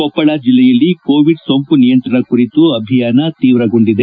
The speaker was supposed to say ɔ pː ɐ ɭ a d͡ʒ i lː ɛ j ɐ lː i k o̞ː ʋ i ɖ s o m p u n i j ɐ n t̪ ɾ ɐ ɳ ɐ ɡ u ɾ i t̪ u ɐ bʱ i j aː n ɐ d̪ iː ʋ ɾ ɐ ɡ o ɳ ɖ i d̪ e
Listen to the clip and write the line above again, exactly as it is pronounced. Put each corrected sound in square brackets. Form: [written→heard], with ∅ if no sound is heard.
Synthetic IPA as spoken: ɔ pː ɐ ɭ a d͡ʒ i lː ɛ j ɐ lː i k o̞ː ʋ i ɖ s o m p u n i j ɐ n t̪ ɾ ɐ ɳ ɐ [ɡ→k] u ɾ i t̪ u ɐ bʱ i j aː n ɐ [d̪→t̪] iː ʋ ɾ ɐ ɡ o ɳ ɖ i d̪ e